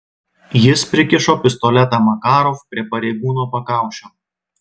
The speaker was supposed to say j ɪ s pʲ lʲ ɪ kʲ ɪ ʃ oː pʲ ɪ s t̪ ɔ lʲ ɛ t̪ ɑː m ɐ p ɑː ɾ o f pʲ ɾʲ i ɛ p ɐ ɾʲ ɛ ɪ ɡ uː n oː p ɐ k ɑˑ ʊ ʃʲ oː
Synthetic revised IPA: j ɪ s pʲ ɾʲ ɪ kʲ ɪ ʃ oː pʲ ɪ s t̪ ɔ lʲ ɛ t̪ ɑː m ɐ k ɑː ɾ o f pʲ ɾʲ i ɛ p ɐ ɾʲ ɛ ɪ ɡ uː n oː p ɐ k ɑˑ ʊ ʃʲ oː